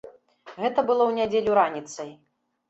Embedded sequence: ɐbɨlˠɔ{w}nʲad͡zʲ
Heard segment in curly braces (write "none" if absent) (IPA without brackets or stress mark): w